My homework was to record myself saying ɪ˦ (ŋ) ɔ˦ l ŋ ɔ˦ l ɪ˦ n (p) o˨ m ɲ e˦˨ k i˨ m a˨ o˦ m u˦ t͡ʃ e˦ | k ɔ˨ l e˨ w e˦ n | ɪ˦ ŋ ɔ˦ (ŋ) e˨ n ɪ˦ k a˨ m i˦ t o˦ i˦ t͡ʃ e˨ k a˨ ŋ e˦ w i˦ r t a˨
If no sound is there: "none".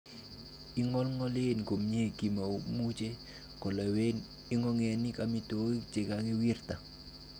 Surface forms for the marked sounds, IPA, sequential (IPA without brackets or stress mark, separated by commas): ŋ, k, ŋ